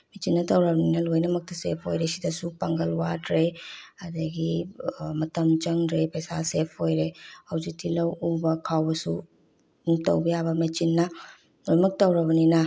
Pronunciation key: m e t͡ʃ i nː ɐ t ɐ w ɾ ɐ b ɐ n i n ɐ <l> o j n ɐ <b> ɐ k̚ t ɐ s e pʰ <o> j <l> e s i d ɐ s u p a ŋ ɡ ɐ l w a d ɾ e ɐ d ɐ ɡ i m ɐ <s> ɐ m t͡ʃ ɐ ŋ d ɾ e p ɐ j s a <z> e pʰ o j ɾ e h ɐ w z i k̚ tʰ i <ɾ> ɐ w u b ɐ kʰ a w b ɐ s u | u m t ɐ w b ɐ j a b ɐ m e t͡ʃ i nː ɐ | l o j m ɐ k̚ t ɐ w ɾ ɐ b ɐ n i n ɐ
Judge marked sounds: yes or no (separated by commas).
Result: yes, no, yes, no, no, no, no